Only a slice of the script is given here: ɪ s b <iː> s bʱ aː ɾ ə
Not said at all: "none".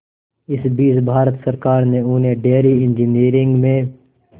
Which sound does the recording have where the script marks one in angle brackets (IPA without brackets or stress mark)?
iː